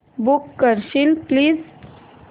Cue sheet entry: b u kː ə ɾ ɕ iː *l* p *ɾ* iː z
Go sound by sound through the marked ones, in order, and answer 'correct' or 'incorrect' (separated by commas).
correct, incorrect